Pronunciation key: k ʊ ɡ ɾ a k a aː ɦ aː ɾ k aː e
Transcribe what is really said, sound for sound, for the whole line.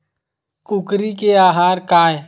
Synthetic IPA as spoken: k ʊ k ɾ i k e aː ɦ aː ɾ k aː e